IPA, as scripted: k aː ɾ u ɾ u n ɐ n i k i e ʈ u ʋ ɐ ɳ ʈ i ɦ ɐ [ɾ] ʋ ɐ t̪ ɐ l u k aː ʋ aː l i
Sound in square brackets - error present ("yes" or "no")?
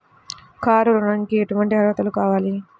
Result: no